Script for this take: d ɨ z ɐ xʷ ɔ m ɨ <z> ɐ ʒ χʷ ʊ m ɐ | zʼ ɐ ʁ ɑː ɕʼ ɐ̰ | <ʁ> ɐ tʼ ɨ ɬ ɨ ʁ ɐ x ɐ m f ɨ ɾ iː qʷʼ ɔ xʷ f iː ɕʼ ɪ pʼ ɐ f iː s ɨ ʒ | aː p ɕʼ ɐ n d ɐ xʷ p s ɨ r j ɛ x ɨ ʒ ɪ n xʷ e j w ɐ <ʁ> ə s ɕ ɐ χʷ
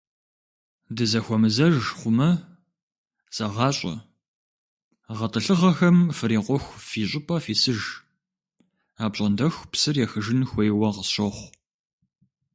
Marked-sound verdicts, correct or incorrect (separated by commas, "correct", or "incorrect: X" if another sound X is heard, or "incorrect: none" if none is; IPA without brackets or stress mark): correct, correct, correct